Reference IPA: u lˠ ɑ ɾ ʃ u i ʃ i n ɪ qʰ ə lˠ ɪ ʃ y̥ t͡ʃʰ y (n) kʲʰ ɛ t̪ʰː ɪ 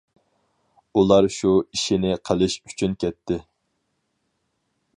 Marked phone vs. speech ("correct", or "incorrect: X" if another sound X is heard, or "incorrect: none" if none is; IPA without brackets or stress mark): correct